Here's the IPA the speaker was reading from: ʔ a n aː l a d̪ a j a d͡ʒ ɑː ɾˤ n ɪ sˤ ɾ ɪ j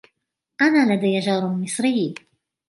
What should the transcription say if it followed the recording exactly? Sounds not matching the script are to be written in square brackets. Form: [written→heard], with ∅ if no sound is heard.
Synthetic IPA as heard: ʔ a n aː l a d̪ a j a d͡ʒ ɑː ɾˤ [n→m] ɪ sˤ ɾ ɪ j